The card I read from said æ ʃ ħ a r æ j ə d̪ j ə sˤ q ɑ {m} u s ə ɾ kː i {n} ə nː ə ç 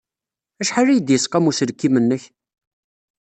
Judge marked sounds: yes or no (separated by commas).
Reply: yes, no